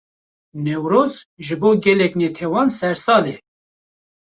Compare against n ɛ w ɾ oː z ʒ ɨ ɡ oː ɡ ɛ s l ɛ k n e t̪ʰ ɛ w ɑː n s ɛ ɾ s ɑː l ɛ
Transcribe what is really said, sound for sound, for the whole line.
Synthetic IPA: n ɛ w ɾ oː z ʒ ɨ b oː ɡ ɛ l ɛ k n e t̪ʰ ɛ w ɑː n s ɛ ɾ s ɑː l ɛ